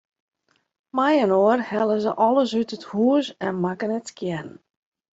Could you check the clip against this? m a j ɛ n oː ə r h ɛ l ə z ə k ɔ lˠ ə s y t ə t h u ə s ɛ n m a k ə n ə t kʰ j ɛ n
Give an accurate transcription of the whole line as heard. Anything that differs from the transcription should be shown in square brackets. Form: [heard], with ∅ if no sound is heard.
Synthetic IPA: m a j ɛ n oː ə r h ɛ l ə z ə [ʔ] ɔ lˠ ə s y t ə t h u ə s ɛ n m a k ə n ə t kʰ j ɛ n